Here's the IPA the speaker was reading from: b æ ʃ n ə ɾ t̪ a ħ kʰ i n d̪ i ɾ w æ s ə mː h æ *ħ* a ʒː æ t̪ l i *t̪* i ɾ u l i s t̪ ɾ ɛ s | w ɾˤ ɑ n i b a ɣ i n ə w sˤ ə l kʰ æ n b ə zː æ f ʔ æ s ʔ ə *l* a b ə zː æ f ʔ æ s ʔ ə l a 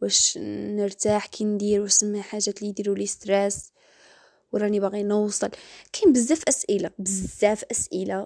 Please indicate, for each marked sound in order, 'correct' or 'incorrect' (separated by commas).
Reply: correct, incorrect, correct